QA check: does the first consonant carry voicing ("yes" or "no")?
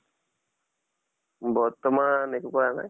yes